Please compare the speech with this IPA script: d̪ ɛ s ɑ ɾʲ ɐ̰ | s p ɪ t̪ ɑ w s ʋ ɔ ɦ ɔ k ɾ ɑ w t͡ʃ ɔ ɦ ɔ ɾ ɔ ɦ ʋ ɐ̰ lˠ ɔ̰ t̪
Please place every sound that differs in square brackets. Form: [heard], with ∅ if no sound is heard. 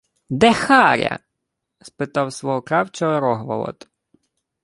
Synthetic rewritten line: d̪ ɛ [x] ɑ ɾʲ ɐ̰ | s p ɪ t̪ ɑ w s ʋ ɔ ɦ ɔ k ɾ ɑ w t͡ʃ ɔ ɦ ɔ ɾ ɔ ɦ ʋ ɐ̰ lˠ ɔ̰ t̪